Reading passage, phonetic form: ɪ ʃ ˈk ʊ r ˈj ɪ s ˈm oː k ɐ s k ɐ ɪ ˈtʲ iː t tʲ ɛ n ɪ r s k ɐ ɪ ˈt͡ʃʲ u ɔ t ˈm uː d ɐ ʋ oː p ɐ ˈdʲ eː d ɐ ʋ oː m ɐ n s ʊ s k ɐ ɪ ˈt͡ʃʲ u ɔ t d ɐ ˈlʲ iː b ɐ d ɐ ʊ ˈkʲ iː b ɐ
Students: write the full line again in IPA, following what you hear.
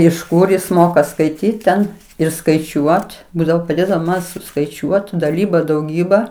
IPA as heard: ɪ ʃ ˈk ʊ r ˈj ɪ s ˈm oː k ɐ s k ɐ ɪ ˈtʲ iː t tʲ ɛ n ɪ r s k ɐ ɪ ˈt͡ʃʲ u ɔ t ˈb uː d ɐ ʋ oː p ɐ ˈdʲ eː d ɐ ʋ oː m ɐ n s ʊ s k ɐ ɪ ˈt͡ʃʲ u ɔ t d ɐ ˈlʲ iː b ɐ d ɐ ʊ ˈɡʲ iː b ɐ